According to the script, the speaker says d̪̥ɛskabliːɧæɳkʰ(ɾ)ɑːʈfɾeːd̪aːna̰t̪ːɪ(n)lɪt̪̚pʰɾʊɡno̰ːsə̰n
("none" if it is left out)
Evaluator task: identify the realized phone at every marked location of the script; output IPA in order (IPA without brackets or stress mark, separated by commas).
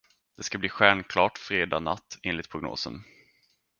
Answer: l, n